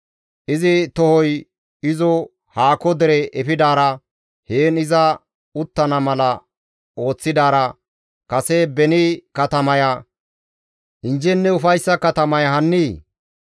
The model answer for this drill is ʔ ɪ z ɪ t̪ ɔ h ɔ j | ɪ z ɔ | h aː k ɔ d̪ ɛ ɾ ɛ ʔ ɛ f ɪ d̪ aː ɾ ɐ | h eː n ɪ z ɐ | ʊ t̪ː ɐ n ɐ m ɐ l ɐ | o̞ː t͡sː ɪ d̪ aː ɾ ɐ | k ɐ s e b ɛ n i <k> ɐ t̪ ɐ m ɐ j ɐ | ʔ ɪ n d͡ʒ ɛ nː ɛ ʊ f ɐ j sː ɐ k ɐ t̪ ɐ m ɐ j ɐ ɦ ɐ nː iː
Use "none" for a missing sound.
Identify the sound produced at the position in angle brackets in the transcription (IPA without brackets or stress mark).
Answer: k